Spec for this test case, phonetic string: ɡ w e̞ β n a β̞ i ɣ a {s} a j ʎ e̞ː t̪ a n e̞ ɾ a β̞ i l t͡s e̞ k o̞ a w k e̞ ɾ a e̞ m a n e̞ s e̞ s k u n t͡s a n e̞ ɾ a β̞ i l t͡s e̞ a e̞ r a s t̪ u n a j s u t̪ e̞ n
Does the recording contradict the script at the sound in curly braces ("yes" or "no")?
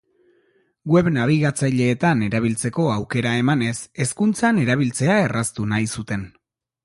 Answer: yes